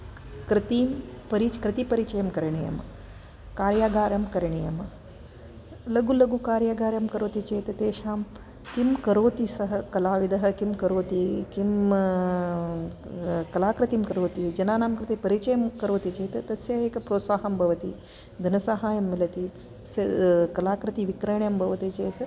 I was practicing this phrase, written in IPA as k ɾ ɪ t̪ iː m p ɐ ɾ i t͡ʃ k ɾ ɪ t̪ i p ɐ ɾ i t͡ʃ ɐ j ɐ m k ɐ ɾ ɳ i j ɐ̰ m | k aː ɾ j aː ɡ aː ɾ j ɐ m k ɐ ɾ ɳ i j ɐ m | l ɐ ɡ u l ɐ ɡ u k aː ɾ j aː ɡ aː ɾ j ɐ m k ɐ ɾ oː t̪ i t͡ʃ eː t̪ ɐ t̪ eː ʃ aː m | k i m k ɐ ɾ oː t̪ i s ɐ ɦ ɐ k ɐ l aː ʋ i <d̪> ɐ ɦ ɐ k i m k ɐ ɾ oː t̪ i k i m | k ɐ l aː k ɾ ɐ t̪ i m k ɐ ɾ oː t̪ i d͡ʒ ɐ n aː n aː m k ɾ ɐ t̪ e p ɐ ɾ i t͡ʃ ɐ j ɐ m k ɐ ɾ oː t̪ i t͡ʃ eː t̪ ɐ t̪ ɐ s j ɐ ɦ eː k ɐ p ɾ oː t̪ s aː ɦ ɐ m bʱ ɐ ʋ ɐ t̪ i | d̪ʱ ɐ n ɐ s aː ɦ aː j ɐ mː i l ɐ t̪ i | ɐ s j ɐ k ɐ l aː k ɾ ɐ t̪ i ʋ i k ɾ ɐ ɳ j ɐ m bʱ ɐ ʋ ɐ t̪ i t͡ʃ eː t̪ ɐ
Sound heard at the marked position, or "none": d̪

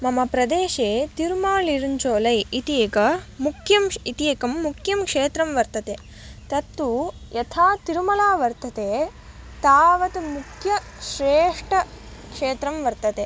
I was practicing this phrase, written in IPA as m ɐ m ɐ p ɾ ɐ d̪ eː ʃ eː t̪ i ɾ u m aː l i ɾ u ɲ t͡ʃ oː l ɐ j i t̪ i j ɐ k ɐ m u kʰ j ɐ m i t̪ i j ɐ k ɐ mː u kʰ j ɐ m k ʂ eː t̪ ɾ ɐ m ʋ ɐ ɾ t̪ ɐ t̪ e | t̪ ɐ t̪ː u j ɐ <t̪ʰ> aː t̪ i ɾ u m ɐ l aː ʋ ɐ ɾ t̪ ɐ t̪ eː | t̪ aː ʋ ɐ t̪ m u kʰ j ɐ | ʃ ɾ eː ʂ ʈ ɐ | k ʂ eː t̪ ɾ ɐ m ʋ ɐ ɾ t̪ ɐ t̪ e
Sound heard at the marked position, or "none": t̪ʰ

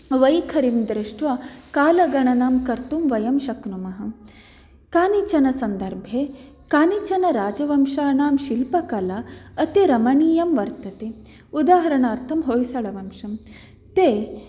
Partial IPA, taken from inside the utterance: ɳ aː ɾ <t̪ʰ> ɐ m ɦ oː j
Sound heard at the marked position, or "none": t̪ʰ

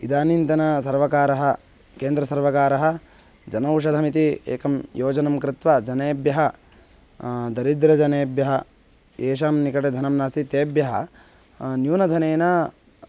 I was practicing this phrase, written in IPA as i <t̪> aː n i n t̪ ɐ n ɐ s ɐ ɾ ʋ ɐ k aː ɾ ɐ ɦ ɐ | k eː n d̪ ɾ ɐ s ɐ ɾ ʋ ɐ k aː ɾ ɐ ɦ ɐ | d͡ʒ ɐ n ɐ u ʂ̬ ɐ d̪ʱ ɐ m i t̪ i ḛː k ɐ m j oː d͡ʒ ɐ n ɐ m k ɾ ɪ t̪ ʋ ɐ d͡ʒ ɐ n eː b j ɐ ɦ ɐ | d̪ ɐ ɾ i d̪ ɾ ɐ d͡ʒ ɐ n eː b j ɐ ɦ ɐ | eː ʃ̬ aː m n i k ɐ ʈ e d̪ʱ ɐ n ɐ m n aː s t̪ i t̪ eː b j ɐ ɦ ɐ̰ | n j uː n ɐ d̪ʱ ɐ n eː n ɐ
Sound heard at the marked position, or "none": d̪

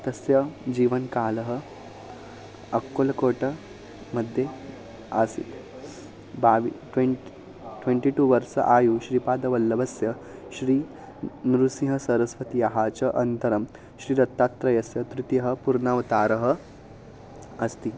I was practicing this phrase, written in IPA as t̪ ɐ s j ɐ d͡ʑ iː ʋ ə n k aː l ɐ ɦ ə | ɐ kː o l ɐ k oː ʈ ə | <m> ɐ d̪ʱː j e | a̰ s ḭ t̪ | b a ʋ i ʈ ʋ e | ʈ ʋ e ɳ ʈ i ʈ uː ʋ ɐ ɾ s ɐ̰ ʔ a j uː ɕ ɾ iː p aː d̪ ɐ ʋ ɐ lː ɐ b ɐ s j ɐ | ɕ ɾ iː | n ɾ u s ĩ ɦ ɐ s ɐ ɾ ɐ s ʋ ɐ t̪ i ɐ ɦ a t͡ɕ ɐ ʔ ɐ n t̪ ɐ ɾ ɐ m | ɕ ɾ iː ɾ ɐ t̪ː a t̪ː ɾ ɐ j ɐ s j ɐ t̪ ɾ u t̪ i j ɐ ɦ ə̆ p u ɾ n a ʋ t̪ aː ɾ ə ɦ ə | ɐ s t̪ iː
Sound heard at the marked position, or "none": m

